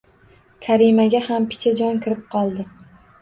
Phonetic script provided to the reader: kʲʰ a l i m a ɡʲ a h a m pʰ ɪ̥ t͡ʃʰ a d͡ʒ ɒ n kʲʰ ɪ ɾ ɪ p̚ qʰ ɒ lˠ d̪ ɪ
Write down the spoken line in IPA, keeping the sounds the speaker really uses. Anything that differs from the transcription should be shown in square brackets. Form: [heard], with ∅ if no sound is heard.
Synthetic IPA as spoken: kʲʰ a [ɾ] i m a ɡʲ a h a m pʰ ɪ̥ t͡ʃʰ a d͡ʒ ɒ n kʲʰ ɪ ɾ ɪ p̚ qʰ ɒ lˠ d̪ ɪ